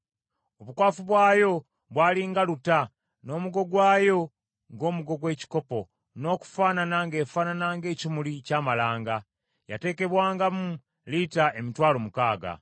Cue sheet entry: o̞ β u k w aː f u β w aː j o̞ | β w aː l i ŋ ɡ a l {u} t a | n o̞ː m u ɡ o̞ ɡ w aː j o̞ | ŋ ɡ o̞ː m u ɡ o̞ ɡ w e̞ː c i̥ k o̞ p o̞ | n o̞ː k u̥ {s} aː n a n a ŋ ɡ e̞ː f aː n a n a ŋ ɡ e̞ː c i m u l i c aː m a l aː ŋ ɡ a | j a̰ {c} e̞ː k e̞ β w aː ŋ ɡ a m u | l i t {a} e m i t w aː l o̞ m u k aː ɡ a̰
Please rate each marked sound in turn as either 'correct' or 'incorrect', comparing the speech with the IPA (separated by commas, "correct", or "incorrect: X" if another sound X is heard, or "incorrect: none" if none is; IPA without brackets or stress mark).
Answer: correct, incorrect: f, incorrect: t, correct